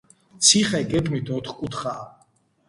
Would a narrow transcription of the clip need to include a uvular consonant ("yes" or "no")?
yes